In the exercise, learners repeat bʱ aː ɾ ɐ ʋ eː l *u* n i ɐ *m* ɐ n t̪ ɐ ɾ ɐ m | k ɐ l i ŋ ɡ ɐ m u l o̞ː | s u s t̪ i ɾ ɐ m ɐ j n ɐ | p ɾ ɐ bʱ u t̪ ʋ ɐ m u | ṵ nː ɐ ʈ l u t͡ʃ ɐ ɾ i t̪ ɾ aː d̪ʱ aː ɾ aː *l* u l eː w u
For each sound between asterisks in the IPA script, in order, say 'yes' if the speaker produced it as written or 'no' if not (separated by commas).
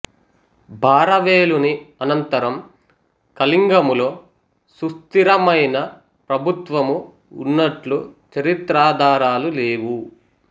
yes, no, yes